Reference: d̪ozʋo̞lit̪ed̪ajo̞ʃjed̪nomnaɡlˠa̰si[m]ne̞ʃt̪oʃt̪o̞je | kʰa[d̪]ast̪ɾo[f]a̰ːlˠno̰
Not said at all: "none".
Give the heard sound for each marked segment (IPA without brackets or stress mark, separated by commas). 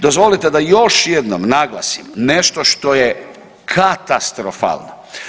m, t̪, f